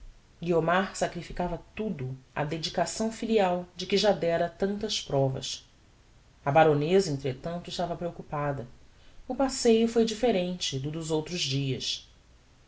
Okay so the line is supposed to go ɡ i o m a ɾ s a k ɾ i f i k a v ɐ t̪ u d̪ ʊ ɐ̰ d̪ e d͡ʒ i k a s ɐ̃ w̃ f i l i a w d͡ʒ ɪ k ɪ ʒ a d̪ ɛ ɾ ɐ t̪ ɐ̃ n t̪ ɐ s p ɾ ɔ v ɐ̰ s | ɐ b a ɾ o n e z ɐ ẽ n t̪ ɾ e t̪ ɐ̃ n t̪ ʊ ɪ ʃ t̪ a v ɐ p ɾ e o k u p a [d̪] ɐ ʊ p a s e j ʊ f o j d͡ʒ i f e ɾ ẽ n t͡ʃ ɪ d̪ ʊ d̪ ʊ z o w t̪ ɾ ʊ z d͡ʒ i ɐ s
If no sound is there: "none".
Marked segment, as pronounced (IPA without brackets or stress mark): d̪